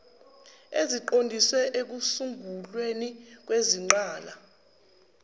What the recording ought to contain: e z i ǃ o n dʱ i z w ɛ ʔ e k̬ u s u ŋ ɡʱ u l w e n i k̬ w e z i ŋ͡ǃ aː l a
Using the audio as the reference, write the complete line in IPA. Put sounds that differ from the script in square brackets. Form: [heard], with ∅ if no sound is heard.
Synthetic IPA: e z i ǃ o n dʱ i [s] w ɛ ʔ e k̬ u s u ŋ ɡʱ u l w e n i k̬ w e z i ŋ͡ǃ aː l a